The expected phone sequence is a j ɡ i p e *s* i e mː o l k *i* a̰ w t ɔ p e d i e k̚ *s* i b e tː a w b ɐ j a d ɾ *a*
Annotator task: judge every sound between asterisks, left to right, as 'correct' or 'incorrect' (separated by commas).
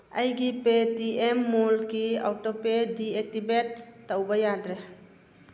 incorrect, correct, incorrect, incorrect